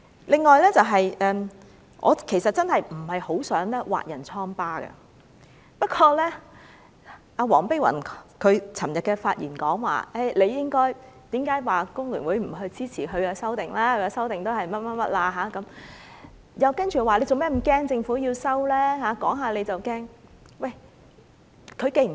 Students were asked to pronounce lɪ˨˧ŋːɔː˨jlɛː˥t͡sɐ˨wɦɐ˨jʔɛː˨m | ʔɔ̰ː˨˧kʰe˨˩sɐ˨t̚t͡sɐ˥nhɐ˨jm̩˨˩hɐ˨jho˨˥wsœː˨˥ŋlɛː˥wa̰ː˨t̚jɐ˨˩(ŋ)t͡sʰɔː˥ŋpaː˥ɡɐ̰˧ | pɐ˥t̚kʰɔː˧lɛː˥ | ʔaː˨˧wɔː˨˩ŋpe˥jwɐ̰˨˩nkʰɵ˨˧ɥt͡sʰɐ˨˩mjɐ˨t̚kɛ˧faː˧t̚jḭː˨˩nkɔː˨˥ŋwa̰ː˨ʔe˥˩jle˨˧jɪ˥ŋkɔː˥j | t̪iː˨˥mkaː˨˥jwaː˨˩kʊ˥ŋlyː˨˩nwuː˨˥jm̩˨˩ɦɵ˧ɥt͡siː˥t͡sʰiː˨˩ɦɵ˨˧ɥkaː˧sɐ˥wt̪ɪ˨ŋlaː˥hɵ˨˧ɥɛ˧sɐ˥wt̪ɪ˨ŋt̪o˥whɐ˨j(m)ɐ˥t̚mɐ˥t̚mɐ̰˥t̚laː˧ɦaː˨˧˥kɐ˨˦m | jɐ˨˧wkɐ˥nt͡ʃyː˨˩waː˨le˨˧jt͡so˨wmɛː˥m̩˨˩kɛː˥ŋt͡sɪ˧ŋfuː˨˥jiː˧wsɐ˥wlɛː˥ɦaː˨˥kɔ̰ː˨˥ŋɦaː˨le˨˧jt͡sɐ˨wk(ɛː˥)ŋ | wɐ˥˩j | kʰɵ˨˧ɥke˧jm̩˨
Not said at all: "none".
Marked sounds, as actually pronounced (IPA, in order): n, m, ɛː˥

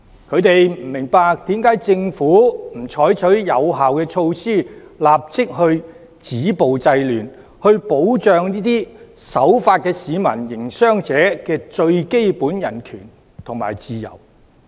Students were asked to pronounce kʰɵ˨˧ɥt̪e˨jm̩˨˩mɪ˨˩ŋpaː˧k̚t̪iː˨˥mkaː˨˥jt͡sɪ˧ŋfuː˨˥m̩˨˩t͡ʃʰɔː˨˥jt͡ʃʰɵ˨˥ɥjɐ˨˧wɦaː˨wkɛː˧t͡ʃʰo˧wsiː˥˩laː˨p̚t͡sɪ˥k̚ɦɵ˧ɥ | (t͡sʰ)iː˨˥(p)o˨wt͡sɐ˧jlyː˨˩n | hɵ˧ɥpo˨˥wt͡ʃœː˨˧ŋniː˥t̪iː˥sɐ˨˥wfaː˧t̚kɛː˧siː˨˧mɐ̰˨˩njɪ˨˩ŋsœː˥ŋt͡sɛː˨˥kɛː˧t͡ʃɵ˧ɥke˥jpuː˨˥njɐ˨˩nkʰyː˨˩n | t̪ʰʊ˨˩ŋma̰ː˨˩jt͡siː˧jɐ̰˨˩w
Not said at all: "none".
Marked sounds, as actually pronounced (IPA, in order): t͡s, p

